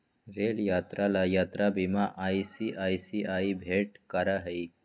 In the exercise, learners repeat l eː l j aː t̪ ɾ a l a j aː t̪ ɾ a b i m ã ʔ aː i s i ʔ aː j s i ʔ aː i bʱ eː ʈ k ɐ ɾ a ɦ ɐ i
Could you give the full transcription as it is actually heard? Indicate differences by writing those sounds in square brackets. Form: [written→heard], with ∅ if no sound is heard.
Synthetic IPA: [l→ɾ] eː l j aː t̪ ɾ a l a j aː t̪ ɾ a b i m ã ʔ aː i s i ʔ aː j s i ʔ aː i bʱ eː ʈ k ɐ ɾ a ɦ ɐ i